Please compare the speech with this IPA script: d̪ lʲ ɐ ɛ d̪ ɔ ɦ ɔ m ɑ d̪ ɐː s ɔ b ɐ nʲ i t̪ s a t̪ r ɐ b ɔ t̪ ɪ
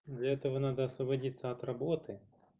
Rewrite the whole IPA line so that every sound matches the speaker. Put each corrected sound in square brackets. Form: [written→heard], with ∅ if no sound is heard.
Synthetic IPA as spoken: d̪ lʲ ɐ ɛ [d̪→t̪] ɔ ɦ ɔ [m→n] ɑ d̪ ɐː s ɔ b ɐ [nʲ→dʲ] i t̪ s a t̪ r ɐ b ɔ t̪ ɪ